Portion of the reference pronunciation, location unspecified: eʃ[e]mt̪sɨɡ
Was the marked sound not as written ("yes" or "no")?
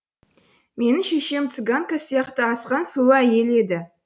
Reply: no